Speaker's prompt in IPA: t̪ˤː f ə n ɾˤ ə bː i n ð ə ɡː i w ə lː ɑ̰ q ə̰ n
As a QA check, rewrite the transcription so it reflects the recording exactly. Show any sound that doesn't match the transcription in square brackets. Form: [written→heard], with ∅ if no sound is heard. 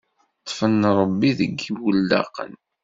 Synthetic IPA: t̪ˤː f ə n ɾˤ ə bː i [n→∅] ð ə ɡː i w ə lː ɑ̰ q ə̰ n